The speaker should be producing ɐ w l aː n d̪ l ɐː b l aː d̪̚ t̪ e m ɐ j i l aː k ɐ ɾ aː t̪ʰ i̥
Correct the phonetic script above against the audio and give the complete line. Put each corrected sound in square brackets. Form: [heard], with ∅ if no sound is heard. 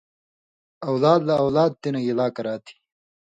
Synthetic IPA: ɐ w l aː [∅] d̪ l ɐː [w] l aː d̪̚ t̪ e [n] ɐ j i l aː k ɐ ɾ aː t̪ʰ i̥